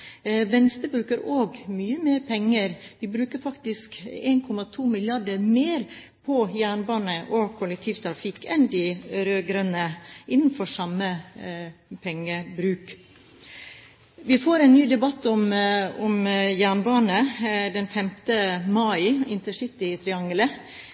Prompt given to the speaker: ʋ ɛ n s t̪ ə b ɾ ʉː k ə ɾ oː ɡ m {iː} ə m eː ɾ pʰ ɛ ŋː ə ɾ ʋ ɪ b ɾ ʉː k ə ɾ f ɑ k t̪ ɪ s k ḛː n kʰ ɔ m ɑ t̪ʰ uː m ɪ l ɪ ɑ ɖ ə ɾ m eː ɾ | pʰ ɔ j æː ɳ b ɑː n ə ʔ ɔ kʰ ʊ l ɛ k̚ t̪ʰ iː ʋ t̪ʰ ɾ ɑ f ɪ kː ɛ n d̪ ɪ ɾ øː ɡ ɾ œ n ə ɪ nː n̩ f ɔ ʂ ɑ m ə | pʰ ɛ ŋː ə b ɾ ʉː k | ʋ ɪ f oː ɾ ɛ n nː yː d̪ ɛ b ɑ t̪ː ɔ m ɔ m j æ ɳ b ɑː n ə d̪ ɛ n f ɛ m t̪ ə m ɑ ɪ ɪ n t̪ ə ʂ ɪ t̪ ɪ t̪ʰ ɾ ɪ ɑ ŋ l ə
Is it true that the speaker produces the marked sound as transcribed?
no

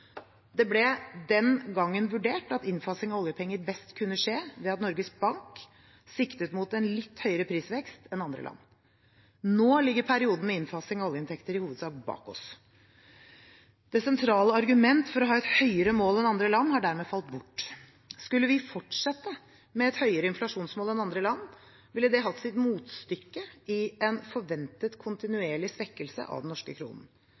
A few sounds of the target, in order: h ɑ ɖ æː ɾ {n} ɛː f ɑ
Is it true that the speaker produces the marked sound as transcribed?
no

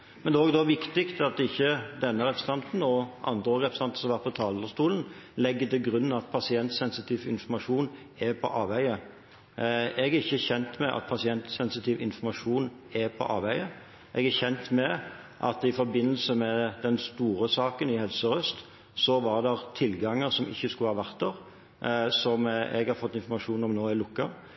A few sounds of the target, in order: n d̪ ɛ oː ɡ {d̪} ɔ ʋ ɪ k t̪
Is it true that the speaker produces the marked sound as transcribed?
yes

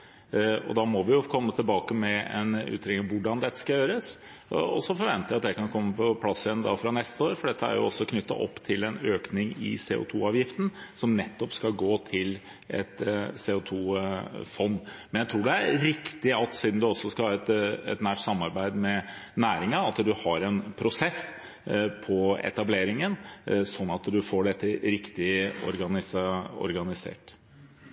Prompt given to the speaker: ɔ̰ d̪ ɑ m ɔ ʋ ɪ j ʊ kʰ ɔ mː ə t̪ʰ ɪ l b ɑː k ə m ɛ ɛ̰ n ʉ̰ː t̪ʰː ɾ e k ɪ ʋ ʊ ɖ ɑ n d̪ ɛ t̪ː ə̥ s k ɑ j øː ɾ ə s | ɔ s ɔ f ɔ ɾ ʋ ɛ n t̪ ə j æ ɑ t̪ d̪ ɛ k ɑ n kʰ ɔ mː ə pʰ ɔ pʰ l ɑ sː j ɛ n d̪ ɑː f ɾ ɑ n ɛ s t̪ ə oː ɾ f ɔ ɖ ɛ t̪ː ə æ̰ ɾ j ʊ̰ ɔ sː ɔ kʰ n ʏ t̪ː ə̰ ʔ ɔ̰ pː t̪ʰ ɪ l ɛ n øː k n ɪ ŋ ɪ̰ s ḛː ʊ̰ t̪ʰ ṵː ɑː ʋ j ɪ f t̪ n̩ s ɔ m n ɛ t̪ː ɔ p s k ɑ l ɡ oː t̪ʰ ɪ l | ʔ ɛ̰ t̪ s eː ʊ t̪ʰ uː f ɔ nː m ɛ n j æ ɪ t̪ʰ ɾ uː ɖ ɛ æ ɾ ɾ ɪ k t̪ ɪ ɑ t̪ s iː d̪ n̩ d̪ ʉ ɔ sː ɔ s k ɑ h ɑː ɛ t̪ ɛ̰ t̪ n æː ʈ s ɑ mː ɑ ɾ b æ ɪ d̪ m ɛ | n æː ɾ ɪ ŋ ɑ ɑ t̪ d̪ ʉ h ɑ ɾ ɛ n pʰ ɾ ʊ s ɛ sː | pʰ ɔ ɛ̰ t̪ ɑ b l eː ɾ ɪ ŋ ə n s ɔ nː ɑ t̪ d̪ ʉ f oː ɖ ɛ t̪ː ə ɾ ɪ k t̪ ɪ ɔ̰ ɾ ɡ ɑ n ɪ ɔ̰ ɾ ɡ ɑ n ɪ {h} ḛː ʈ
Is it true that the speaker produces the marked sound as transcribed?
no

